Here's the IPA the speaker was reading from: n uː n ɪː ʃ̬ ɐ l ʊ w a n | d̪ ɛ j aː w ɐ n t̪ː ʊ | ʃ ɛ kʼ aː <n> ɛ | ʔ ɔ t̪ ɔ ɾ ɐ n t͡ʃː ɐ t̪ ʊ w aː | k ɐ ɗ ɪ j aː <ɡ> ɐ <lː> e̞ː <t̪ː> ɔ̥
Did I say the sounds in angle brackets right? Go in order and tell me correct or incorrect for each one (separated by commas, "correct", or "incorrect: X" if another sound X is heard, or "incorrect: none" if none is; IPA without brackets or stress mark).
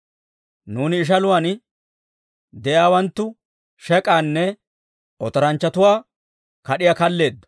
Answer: incorrect: nː, incorrect: k, correct, incorrect: d̪ː